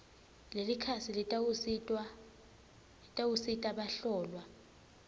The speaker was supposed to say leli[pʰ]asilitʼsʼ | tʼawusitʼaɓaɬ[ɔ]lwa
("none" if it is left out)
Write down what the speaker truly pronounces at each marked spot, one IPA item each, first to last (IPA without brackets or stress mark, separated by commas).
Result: kʰ, ɔː